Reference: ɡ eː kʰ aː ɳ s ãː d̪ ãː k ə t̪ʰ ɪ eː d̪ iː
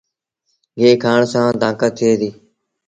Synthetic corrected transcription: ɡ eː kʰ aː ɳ s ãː d̪ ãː k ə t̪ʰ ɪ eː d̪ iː